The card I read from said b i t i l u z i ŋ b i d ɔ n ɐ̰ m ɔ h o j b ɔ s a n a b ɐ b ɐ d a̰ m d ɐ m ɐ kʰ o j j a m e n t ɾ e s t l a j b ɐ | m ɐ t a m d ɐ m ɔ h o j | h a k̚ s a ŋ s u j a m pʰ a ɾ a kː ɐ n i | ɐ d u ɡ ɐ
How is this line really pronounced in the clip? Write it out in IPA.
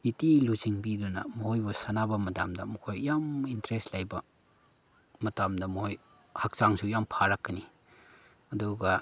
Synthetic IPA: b i t i l u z i ŋ b i d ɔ n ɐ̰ m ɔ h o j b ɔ s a n a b ɐ m ɐ d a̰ m d ɐ m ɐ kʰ o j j a m i n t ɾ e s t l a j b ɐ | m ɐ t a m d ɐ m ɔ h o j | h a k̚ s a ŋ s u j a m pʰ a ɾ a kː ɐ n i | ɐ d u ɡ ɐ